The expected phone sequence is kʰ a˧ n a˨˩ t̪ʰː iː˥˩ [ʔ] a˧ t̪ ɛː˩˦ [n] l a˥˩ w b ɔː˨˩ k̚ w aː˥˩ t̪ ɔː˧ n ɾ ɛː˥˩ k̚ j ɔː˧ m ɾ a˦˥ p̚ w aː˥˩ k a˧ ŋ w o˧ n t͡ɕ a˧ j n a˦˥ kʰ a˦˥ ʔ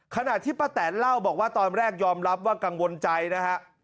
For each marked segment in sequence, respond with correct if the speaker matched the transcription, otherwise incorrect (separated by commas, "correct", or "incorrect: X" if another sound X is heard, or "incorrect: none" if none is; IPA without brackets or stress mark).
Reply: incorrect: p, correct